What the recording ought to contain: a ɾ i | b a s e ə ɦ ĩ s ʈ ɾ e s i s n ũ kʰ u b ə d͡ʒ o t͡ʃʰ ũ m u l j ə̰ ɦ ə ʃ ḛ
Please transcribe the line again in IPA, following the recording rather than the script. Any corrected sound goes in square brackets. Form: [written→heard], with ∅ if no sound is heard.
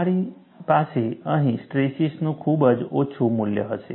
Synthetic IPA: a ɾ i | [b→p] a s e ə ɦ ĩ s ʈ ɾ e s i s n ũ kʰ u b ə d͡ʒ o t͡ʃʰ [ũ→u] m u l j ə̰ ɦ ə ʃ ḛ